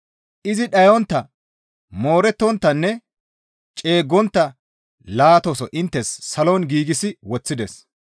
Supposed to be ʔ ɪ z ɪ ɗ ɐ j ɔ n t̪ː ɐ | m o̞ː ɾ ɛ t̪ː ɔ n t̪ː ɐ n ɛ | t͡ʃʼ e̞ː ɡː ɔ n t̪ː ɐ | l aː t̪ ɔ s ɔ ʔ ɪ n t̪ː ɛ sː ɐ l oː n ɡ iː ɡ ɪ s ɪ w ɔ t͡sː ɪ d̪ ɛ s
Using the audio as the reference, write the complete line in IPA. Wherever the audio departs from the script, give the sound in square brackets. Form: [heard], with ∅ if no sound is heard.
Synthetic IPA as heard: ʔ ɪ z ɪ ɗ ɐ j ɔ n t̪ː ɐ | m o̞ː ɾ ɛ t̪ː ɔ n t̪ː ɐ [nː] ɛ | t͡ʃʼ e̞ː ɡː ɔ n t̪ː ɐ | l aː t̪ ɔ s ɔ ʔ ɪ n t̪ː ɛ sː ɐ l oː n ɡ iː ɡ ɪ s ɪ w ɔ t͡sː ɪ d̪ ɛ s